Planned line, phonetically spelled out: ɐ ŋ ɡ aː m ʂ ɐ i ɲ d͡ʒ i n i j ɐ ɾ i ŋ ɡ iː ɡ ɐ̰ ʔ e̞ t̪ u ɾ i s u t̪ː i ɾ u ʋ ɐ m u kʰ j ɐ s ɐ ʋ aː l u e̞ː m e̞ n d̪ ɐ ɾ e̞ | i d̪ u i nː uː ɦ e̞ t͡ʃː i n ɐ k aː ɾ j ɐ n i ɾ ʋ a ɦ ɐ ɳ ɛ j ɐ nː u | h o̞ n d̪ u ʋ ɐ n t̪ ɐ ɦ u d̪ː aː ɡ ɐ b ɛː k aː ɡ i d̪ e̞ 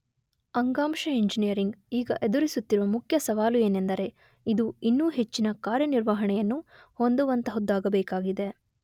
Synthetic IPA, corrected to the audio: ɐ ŋ ɡ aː m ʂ ɐ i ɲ d͡ʒ i n i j ɐ ɾ i ŋ ɡ iː ɡ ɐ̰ ʔ e̞ d̪ u ɾ i s u t̪ː i ɾ u ʋ ɐ m u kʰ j ɐ s ɐ ʋ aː l u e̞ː n e̞ n d̪ ɐ ɾ e̞ | i d̪ u i nː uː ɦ e̞ t͡ʃː i n ɐ k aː ɾ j ɐ n i ɾ ʋ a ɦ ɐ ɳ ɛ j ɐ nː u | h o̞ n d̪ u ʋ ɐ n t̪ ɐ ɦ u d̪ː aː ɡ ɐ b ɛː k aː ɡ i d̪ e̞